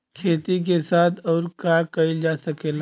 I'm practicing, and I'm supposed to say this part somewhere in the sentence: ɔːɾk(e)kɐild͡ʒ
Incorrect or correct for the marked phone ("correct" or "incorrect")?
incorrect